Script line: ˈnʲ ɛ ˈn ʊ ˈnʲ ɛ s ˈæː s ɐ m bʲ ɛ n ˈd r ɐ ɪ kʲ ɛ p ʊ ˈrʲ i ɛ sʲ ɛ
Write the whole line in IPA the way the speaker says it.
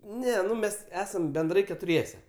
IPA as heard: ˈnʲ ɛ ˈn ʊ ˈmʲ ɛ s ˈæː s ɐ m bʲ ɛ n ˈd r ɐ ɪ kʲ ɛ t ʊ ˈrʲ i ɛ sʲ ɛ